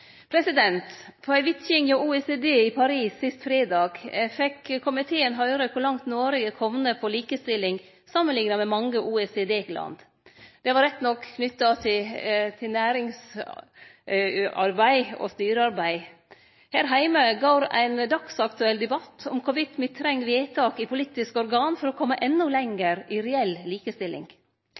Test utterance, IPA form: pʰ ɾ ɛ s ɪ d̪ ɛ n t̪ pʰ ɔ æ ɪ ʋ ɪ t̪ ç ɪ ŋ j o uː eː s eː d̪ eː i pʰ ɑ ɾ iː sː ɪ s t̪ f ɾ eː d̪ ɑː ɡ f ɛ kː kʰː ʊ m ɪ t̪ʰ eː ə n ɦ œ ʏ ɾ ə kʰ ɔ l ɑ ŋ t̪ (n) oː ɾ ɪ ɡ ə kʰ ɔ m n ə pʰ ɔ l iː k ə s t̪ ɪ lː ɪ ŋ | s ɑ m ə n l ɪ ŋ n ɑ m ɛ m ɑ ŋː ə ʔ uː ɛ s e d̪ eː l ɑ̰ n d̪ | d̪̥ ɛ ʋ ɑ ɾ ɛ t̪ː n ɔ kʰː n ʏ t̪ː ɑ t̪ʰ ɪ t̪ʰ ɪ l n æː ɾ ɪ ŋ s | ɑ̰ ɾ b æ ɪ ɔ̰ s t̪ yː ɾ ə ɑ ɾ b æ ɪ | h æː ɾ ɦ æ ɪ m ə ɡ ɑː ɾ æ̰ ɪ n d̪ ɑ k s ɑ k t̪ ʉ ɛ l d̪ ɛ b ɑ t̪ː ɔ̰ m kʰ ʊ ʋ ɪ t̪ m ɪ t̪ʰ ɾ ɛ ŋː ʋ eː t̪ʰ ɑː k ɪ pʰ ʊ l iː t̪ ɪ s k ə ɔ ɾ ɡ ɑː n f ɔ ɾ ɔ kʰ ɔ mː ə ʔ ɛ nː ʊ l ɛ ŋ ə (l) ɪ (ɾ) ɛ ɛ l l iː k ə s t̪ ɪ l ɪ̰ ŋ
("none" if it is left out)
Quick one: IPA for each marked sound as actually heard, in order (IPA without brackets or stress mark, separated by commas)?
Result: n, ɾ, ɾ